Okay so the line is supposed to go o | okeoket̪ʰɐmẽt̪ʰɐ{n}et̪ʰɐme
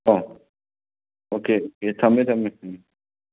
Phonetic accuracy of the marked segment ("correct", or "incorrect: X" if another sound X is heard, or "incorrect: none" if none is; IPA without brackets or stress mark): incorrect: m